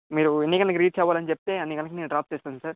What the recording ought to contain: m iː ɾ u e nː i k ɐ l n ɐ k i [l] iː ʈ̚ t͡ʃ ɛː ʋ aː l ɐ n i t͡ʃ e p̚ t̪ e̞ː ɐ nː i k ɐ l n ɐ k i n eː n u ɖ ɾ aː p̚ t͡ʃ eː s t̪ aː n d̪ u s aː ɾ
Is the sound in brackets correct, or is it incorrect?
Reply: incorrect